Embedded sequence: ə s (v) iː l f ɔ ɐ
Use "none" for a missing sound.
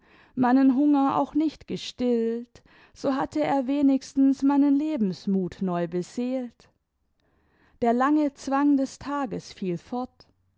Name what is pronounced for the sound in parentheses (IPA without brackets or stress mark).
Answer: f